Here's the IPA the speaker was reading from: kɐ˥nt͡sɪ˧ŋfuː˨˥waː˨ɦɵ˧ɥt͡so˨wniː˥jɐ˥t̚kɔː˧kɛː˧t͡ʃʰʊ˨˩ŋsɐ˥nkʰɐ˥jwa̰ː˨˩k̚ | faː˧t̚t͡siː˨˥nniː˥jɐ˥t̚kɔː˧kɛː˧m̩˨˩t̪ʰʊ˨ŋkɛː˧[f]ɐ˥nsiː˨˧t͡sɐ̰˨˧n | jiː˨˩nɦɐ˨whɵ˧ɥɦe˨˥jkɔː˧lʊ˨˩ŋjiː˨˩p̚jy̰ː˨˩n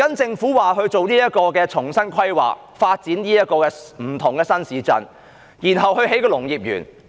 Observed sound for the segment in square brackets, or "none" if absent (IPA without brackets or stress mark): s